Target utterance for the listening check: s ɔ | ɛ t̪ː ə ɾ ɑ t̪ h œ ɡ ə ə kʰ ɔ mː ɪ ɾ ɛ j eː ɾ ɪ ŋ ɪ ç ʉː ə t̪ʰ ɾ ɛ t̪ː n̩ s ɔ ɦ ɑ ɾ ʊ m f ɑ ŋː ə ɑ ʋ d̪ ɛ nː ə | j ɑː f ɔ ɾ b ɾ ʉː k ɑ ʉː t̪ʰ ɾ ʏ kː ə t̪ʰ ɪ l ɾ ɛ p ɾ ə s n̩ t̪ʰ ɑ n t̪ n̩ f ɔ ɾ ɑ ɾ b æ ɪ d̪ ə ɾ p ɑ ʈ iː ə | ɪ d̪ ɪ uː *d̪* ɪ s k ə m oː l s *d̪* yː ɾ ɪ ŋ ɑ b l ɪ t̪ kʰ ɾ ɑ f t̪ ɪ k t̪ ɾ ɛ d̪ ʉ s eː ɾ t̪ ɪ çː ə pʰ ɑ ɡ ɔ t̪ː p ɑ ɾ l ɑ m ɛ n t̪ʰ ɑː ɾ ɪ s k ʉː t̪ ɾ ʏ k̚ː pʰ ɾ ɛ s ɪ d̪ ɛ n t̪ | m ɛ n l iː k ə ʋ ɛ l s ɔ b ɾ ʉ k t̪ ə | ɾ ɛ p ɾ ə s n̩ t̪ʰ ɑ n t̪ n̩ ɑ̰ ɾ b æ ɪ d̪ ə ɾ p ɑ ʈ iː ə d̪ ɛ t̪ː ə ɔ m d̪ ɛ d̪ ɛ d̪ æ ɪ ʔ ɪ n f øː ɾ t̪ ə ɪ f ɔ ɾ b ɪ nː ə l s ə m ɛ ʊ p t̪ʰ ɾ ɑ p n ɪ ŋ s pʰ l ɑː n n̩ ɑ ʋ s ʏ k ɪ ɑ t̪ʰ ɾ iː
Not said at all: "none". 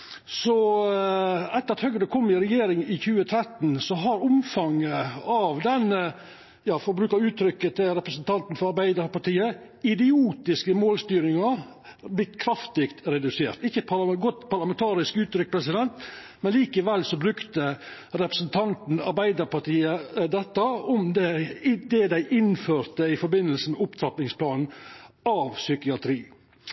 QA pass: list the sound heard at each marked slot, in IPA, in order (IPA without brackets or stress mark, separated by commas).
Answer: t̪, t̪